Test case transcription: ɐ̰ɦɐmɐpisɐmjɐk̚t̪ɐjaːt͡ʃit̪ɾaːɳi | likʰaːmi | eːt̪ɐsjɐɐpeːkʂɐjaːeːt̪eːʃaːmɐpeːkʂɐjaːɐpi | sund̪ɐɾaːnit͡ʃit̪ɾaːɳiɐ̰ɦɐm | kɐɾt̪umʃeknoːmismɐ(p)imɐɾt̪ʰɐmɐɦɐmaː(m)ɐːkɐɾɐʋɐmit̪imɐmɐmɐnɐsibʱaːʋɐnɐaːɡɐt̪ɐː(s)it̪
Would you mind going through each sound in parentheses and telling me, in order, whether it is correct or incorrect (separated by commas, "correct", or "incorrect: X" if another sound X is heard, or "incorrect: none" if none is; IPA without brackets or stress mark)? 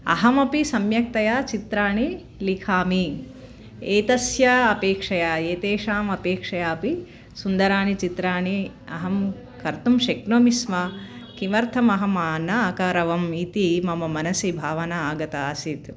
incorrect: k, incorrect: n, correct